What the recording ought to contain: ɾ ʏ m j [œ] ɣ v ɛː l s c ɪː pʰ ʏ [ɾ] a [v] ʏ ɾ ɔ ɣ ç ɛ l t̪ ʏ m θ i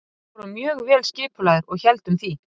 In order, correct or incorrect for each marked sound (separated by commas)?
incorrect, incorrect, incorrect